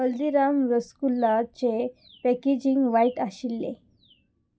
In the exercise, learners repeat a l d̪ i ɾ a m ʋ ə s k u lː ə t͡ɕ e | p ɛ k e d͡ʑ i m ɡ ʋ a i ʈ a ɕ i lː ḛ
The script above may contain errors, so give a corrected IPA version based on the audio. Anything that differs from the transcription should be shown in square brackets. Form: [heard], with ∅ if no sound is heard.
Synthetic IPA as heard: [ə] l d̪ i ɾ a m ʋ ə s k u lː [a] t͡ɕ e | p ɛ k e d͡ʑ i [ŋ] ɡ ʋ a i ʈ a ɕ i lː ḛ